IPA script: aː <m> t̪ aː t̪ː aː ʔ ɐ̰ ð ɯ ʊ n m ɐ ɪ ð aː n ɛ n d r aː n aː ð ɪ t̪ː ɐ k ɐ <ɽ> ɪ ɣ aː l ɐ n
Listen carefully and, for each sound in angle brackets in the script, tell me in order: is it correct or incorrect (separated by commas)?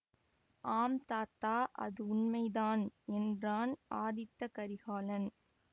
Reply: correct, incorrect